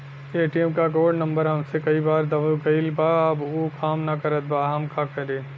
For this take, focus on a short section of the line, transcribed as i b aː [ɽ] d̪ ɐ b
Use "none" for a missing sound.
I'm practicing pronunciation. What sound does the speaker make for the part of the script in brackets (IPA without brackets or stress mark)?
ɾ